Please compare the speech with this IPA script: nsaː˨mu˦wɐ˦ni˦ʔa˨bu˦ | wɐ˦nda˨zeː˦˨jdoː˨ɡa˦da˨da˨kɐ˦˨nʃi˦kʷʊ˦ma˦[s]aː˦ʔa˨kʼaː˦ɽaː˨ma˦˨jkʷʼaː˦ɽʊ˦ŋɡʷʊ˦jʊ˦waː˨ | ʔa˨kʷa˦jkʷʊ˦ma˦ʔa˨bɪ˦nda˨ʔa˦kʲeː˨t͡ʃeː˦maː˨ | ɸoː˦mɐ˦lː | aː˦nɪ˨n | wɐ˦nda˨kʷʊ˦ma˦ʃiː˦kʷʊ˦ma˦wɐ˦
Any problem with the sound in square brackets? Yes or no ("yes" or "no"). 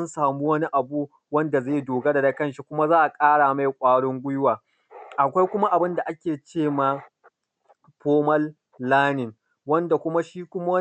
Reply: yes